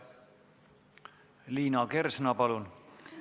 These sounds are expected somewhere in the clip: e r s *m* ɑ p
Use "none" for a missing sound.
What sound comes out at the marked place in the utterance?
n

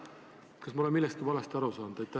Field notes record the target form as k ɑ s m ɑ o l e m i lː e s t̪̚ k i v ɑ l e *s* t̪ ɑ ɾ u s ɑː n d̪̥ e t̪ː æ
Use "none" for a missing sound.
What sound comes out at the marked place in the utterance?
s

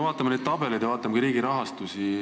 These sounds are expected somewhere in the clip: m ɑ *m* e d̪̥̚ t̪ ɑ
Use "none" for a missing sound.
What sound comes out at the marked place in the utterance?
n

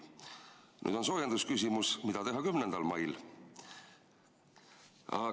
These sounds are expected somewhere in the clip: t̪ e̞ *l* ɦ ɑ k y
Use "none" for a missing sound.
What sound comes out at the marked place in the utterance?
none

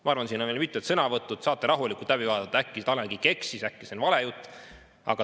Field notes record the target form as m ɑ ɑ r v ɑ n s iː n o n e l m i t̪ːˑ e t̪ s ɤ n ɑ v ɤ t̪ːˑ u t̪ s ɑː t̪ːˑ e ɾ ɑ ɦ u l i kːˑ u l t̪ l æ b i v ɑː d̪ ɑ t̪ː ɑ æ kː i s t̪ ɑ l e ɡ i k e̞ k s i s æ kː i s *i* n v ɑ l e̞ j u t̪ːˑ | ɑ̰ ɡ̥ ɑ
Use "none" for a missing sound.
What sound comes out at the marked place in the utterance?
e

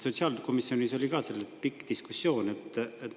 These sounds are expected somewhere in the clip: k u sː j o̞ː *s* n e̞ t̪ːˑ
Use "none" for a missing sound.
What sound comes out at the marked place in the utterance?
none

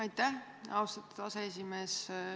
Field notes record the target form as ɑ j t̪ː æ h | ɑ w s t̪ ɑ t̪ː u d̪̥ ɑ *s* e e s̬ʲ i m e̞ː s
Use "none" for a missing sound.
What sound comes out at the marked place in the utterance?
s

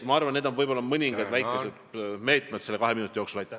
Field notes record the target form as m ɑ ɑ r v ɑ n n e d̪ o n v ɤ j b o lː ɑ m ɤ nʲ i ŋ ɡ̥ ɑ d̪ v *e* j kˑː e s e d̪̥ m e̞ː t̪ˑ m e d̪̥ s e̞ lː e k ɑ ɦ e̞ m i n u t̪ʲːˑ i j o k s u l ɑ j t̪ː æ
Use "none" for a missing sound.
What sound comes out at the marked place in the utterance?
æ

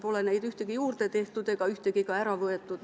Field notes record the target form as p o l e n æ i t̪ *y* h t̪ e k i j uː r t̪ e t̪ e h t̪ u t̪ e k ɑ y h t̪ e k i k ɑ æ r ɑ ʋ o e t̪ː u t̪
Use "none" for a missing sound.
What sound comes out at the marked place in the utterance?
y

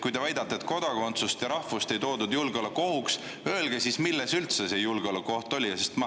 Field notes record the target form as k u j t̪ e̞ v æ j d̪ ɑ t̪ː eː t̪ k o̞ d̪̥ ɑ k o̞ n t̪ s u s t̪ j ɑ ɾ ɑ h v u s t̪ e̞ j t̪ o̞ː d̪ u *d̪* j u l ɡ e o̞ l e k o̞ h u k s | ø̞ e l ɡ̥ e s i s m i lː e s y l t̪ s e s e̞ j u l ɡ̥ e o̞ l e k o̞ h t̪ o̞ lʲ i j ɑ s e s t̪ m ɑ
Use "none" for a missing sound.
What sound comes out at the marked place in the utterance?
d̪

